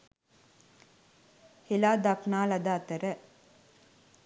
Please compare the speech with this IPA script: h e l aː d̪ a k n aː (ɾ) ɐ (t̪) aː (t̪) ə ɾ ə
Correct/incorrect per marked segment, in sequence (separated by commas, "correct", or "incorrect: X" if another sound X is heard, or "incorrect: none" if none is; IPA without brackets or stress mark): incorrect: l, incorrect: d̪, correct